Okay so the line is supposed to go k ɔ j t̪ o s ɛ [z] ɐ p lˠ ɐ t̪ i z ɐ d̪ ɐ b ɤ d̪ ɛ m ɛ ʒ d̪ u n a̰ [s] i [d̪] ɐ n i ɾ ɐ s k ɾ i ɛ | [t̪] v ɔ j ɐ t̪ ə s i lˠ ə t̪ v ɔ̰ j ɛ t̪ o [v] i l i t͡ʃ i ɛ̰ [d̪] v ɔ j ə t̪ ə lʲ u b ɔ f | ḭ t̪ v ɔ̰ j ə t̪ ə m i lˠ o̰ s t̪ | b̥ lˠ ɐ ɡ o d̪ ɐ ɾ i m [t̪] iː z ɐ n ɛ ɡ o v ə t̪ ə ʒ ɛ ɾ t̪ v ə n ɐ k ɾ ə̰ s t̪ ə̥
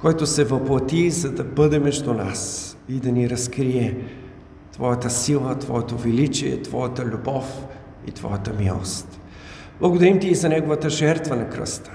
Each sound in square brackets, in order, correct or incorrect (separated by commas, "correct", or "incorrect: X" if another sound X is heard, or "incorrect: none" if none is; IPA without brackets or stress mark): incorrect: v, correct, correct, correct, correct, incorrect: t̪, correct